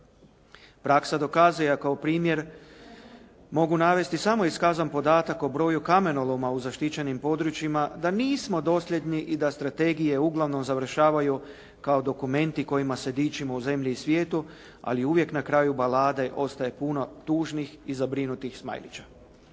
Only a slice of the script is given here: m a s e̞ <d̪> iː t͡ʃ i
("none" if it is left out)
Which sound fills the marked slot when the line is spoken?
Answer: d̪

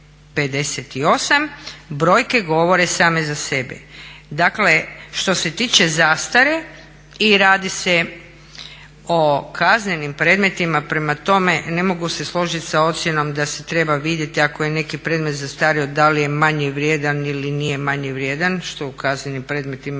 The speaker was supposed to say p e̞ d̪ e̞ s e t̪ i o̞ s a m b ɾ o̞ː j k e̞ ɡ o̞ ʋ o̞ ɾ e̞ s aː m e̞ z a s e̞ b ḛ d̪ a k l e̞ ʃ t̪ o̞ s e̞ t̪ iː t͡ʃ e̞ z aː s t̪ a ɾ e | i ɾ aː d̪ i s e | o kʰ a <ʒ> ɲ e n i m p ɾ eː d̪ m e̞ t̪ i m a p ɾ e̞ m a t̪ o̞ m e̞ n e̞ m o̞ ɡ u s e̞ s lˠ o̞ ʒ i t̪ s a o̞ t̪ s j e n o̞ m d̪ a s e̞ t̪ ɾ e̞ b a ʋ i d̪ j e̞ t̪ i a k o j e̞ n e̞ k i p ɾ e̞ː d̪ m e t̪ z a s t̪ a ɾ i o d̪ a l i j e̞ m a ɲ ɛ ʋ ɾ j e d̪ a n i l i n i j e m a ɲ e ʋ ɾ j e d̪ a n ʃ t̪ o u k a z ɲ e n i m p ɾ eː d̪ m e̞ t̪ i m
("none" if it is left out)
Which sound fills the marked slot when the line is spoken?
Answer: z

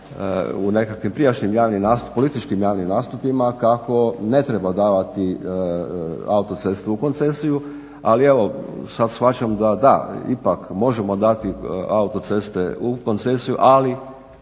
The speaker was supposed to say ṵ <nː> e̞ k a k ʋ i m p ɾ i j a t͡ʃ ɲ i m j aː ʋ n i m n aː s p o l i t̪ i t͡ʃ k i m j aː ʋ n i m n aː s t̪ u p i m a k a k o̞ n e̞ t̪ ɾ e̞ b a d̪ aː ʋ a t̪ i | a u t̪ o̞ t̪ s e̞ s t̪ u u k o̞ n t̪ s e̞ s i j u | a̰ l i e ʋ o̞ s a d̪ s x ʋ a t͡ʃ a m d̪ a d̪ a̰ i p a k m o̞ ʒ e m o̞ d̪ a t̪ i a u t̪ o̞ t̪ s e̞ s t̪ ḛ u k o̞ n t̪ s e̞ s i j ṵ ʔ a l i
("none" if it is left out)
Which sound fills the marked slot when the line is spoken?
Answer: n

